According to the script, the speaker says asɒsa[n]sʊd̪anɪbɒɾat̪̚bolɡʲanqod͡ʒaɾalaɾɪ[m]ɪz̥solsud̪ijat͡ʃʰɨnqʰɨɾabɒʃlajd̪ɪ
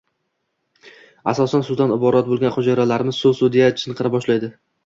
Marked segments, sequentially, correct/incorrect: correct, correct

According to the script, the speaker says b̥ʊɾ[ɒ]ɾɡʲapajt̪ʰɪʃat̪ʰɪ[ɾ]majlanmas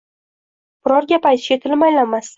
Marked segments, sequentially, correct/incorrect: correct, incorrect: l

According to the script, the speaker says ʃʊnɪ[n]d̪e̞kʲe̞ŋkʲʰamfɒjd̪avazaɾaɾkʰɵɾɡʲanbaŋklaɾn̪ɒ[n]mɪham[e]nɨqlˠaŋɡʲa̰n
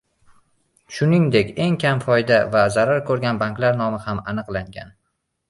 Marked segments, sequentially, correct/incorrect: incorrect: ŋ, incorrect: none, incorrect: a

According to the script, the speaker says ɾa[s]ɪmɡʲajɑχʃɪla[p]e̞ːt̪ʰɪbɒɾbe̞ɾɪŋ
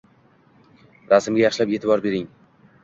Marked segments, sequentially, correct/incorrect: correct, correct

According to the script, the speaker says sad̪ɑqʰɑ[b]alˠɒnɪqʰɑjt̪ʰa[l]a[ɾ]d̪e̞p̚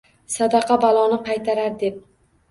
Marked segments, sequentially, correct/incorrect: correct, incorrect: ɾ, correct

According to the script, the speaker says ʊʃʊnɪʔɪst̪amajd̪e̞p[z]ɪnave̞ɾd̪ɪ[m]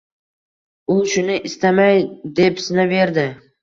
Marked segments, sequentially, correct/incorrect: incorrect: s, incorrect: none

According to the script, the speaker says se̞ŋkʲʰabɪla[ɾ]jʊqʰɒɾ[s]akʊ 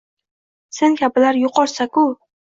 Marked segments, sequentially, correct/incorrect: correct, correct

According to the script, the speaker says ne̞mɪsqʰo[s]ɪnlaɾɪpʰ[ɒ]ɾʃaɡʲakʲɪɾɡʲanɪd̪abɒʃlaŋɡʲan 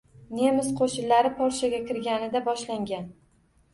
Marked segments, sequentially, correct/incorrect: incorrect: ʃ, correct

